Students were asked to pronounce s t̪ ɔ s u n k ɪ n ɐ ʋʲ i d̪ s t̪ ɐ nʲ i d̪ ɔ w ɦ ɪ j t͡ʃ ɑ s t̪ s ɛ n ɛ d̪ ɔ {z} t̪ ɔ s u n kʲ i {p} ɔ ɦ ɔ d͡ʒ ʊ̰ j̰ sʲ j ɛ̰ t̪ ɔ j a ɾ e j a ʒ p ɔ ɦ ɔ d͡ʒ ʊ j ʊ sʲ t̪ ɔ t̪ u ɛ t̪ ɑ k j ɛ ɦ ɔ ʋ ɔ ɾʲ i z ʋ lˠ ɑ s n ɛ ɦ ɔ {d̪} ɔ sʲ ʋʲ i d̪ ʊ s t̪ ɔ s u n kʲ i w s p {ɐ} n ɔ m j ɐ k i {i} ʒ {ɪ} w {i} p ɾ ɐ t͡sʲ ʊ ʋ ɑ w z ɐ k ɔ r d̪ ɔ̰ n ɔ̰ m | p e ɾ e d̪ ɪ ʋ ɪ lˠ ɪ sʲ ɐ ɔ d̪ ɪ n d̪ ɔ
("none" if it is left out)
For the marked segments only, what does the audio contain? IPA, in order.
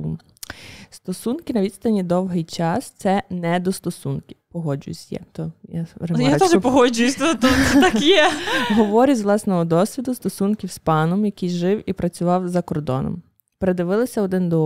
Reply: s, p, d̪, ɑ, j, ɪ, i

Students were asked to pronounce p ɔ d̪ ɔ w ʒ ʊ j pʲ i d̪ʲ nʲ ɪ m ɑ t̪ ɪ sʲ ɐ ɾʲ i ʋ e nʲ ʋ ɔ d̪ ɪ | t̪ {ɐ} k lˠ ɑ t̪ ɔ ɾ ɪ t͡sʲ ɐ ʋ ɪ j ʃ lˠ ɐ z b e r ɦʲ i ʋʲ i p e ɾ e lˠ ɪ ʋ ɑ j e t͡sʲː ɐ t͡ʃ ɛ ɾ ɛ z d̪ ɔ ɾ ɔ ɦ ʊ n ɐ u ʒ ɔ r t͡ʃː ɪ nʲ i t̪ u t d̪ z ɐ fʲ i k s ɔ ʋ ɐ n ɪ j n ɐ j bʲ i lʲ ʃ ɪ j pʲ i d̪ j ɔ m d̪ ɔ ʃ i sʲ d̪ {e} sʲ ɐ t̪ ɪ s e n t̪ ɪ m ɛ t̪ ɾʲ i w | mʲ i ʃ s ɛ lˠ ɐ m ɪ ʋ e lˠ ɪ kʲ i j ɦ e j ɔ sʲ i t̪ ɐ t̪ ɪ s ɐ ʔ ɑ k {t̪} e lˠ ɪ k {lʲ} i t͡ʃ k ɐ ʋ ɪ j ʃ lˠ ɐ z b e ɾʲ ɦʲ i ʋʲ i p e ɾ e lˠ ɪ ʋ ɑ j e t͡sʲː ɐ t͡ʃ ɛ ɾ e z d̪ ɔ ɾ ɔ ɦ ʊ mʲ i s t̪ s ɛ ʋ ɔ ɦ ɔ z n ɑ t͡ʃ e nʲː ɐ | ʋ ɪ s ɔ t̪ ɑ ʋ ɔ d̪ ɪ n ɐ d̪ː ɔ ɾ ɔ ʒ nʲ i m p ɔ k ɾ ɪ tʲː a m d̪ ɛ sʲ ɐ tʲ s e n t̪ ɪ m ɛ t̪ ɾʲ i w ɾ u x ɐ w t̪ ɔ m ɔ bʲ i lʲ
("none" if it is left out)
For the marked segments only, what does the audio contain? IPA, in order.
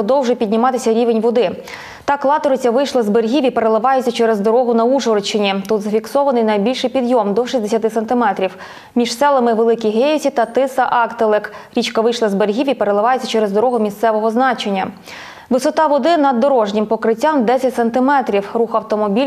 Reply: ɑ, e, t̪, ɾʲ

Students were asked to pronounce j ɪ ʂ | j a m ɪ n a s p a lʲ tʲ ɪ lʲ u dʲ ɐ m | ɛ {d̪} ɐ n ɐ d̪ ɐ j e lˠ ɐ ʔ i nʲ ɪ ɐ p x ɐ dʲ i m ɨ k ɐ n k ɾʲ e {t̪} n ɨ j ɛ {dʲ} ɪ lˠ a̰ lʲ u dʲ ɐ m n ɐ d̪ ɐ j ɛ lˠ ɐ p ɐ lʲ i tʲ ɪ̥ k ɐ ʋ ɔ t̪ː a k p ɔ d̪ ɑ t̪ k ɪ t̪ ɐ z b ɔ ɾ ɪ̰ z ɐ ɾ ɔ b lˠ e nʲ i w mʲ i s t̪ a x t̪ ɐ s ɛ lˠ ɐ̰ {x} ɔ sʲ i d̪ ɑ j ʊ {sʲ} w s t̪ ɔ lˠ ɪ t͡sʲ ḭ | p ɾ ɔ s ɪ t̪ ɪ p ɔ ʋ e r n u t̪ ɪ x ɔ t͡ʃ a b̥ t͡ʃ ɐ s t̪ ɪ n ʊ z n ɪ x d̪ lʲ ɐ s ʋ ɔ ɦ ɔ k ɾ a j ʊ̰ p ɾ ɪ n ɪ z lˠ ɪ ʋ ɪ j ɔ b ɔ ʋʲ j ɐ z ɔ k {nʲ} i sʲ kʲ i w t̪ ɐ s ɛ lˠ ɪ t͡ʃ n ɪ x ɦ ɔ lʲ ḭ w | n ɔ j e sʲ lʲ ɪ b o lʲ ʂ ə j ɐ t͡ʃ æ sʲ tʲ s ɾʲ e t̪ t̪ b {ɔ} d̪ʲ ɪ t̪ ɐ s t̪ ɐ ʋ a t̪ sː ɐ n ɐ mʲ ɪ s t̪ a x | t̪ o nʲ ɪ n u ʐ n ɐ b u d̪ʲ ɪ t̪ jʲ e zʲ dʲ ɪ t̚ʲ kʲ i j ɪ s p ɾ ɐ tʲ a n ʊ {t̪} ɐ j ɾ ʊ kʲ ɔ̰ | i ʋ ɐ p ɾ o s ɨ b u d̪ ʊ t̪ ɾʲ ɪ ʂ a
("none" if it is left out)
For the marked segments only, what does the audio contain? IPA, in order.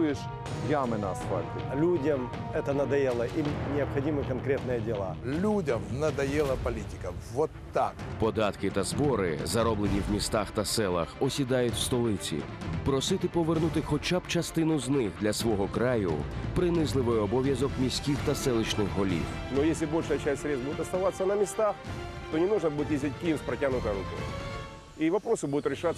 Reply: t̪, t̪, dʲ, x, tʲ, mʲ, u, t̪

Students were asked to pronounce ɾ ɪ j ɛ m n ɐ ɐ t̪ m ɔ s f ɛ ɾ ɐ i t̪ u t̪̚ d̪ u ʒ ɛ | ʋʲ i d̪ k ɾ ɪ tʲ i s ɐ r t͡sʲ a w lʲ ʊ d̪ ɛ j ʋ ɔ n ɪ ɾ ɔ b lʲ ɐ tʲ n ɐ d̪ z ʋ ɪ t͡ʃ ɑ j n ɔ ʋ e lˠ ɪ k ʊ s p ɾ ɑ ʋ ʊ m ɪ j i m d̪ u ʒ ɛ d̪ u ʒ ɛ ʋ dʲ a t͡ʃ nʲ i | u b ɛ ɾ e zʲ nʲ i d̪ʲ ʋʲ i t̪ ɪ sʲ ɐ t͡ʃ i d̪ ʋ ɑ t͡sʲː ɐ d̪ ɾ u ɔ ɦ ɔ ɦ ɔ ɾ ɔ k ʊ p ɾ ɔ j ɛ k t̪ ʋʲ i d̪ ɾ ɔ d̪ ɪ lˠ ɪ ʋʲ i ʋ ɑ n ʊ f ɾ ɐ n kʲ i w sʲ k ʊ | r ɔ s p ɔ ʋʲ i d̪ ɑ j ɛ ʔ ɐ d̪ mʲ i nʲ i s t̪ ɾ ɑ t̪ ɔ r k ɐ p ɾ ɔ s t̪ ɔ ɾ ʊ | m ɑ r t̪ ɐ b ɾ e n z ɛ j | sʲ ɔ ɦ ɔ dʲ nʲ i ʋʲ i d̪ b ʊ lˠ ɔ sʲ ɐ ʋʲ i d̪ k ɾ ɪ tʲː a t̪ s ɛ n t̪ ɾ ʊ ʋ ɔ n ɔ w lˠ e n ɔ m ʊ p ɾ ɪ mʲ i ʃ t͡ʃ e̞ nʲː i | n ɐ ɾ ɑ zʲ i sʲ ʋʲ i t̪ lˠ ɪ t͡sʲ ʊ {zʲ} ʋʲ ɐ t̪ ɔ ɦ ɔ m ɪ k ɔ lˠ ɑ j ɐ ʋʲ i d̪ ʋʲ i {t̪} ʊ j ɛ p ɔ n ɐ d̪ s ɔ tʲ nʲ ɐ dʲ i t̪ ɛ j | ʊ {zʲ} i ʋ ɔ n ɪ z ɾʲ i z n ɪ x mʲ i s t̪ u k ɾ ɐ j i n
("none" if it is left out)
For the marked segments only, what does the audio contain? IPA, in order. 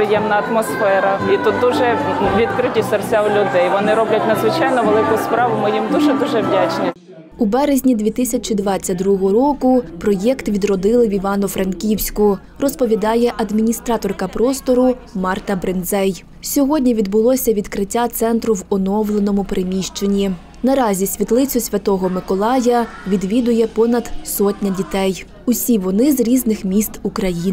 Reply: sʲ, d̪, sʲ

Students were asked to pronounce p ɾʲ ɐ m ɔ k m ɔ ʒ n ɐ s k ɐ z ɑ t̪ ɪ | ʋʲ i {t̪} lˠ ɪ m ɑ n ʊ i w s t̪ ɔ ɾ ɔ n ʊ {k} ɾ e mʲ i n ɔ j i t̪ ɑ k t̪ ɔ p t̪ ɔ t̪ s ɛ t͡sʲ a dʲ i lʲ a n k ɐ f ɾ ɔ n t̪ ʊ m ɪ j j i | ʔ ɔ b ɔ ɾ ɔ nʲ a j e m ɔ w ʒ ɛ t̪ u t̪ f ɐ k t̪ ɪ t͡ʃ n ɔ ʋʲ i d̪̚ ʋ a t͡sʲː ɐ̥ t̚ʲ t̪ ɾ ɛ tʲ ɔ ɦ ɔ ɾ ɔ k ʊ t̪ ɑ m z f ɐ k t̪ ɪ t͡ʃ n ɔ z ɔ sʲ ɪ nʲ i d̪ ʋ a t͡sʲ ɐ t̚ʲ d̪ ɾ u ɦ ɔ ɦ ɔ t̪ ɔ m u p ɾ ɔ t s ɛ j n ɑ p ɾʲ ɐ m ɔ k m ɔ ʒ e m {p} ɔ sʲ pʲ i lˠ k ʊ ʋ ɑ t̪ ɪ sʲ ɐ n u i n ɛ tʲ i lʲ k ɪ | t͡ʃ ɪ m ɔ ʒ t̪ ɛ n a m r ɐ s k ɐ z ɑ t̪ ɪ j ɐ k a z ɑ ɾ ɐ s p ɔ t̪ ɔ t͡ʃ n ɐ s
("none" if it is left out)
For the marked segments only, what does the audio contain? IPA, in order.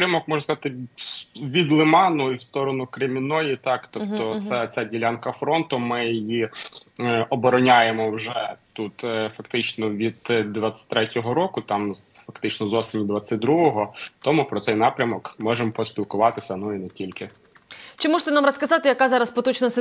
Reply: d̪, k, p

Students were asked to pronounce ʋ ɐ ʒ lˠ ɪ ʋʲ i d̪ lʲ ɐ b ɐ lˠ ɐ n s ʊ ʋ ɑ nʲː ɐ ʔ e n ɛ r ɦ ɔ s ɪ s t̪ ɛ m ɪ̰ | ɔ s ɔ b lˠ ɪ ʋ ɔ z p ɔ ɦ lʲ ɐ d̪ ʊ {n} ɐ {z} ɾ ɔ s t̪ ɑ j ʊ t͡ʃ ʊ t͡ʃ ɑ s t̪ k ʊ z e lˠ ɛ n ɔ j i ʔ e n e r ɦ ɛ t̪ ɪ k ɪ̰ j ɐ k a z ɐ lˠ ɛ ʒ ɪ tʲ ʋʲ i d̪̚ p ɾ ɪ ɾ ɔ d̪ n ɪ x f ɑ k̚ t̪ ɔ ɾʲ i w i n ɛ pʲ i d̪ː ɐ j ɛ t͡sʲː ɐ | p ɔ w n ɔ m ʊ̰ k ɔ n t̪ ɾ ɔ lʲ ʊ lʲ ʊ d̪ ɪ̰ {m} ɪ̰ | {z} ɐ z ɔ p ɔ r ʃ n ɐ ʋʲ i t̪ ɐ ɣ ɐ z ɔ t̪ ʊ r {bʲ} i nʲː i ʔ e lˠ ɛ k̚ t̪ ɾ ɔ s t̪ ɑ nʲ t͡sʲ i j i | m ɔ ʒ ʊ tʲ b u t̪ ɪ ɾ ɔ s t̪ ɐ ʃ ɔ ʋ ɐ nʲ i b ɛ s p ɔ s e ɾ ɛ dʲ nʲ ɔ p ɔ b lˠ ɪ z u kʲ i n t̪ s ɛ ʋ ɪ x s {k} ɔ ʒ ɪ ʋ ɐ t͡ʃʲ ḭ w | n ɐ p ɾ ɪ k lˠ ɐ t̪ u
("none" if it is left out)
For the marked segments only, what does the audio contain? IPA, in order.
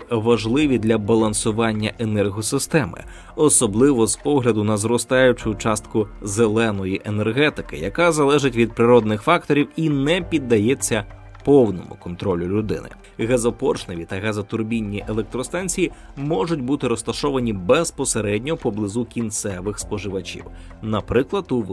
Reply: n, z, n, ɣ, bʲ, p

